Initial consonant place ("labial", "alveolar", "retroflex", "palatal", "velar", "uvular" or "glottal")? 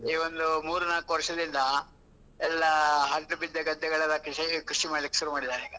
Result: labial